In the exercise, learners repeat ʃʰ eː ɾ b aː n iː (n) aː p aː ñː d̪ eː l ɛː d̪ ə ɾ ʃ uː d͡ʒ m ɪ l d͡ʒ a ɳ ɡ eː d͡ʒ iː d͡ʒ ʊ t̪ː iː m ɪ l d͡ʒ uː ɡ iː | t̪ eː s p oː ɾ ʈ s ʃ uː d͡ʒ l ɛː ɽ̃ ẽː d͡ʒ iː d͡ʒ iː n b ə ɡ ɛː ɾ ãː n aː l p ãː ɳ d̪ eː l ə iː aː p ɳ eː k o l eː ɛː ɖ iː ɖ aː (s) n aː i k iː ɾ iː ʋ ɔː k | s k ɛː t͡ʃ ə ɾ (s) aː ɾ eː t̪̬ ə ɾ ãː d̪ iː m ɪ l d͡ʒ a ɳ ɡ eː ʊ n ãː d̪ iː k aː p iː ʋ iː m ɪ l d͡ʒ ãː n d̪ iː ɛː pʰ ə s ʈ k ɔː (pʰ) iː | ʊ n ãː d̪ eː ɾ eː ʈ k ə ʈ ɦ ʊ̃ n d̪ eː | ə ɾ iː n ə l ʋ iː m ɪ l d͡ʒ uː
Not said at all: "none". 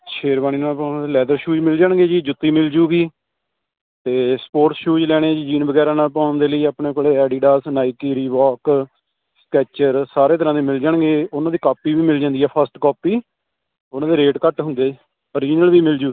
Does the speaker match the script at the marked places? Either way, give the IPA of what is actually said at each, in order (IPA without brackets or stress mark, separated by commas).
n, s, s, p